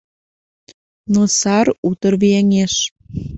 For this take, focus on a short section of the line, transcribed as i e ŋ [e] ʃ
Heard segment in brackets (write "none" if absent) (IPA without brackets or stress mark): e